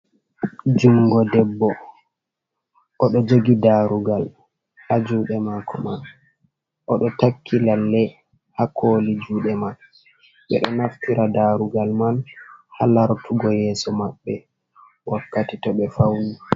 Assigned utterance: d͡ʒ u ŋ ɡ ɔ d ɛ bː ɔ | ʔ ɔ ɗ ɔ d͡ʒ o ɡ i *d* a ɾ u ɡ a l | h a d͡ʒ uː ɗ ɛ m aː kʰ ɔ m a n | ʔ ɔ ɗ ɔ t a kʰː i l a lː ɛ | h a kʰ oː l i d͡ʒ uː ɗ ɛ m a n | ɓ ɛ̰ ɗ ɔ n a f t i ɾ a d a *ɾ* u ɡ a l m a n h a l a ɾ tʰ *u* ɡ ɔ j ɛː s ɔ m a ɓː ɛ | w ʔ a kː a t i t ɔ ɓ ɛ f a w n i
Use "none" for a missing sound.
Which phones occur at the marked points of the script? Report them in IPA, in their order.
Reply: d, ɾ, u

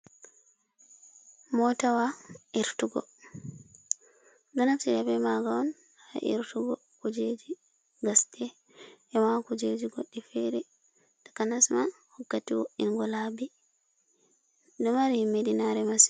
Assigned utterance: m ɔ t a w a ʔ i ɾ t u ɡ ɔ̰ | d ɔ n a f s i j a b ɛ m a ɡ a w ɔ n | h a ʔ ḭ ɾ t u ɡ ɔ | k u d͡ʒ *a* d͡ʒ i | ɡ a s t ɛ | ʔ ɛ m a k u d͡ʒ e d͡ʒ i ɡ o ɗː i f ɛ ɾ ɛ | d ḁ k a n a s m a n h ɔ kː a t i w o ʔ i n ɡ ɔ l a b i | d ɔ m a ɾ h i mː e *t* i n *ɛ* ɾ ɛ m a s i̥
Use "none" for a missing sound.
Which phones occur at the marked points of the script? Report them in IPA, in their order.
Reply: e, d, a

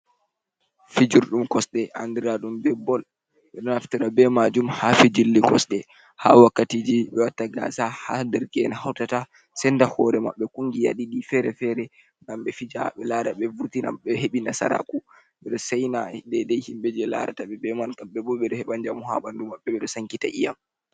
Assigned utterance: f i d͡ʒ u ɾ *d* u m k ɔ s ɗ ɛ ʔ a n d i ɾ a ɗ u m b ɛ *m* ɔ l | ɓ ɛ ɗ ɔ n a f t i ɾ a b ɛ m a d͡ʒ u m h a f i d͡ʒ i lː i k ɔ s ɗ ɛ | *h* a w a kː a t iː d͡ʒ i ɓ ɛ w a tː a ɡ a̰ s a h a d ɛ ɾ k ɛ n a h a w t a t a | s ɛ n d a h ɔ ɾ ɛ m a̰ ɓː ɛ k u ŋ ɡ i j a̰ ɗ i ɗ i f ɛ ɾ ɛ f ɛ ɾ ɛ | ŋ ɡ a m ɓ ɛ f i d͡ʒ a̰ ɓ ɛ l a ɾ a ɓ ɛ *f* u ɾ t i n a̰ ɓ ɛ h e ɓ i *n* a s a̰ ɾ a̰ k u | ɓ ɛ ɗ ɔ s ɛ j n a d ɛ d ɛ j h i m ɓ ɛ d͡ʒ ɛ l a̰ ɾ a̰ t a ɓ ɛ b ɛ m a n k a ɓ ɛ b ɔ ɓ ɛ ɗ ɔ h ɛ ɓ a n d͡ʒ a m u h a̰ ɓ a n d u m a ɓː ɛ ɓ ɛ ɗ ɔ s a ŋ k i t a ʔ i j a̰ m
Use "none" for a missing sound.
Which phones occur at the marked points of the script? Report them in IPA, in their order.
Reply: ɗ, b, h, v, n

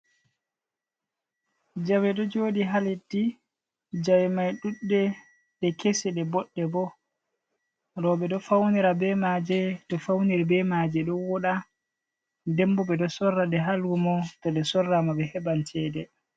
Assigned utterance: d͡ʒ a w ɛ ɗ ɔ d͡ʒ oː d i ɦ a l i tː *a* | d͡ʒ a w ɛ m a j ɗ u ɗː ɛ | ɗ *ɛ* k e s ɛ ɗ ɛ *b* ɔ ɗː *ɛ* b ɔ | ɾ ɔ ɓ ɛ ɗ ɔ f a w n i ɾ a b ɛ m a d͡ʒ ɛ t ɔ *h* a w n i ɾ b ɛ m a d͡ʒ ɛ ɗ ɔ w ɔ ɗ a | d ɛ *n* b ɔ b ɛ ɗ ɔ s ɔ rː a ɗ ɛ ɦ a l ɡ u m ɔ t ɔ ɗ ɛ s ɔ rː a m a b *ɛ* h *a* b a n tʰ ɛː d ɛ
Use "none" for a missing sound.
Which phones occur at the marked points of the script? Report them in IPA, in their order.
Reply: i, ɛ, b, ɛ, f, m, ɛ, ɛ

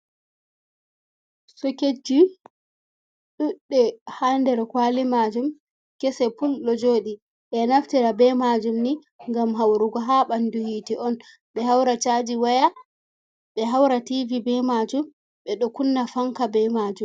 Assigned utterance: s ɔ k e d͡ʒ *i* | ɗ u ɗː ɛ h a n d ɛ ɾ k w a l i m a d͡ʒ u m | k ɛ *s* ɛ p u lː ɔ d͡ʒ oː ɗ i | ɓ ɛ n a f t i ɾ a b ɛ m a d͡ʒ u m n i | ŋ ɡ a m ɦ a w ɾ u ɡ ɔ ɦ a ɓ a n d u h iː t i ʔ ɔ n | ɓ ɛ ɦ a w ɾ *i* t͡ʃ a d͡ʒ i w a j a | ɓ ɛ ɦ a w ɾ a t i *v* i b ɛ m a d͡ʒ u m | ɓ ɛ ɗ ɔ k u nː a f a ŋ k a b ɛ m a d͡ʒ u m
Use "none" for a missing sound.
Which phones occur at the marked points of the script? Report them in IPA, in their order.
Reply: i, s, a, v

